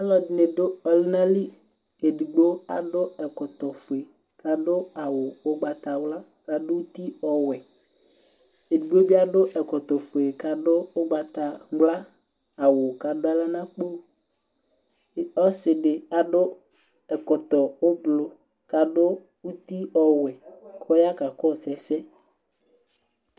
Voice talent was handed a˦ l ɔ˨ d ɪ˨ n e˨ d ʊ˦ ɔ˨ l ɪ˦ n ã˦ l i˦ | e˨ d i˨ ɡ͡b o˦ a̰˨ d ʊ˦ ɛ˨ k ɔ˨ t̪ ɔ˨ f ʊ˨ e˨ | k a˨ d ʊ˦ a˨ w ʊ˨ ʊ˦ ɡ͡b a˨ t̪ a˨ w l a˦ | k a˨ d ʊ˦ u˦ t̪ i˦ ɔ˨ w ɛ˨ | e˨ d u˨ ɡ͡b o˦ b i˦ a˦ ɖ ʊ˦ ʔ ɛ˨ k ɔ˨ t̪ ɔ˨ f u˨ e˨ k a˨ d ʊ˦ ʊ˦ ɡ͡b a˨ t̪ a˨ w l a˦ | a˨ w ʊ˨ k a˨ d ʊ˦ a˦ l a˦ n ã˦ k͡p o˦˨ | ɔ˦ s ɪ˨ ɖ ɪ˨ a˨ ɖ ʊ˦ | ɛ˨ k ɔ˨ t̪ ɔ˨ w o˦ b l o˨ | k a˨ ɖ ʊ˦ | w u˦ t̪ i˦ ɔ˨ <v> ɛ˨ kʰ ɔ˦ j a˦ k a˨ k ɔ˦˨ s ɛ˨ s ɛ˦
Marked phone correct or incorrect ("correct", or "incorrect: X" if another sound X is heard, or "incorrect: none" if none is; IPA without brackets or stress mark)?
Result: incorrect: w